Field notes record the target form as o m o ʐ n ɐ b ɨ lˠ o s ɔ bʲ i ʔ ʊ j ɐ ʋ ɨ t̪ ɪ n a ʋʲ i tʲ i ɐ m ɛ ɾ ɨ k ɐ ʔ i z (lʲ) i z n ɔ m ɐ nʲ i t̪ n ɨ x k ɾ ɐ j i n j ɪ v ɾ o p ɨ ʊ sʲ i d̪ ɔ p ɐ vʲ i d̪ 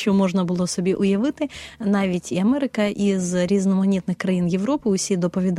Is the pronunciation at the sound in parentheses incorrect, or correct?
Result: incorrect